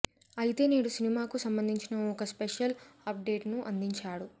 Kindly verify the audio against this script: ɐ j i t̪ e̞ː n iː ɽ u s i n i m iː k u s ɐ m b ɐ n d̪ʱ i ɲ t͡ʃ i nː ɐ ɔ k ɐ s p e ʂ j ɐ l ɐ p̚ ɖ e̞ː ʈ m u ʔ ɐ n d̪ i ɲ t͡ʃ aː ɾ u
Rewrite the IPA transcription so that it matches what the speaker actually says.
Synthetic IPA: ɐ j i t̪ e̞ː n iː ɽ u s i n i m aː k u s ɐ m b ɐ n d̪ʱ i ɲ t͡ʃ i n ɐ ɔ k ɐ s p e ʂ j ɐ l ɐ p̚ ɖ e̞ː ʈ n u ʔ ɐ n d̪ i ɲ t͡ʃ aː ɽ u